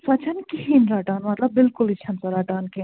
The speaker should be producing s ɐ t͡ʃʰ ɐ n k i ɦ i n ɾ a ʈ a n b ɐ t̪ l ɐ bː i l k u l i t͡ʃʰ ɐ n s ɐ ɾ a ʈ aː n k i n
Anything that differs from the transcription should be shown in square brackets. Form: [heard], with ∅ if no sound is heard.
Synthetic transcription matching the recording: s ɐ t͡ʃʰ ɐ n k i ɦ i n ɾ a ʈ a n [m] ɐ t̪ l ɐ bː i l k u l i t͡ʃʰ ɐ n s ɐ ɾ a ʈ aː n k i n